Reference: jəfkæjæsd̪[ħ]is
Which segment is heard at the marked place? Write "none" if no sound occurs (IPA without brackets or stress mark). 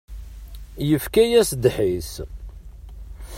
ħ